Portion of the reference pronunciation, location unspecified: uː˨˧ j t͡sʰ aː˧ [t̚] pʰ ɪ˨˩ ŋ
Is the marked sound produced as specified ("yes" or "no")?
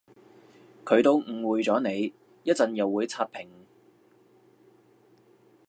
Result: yes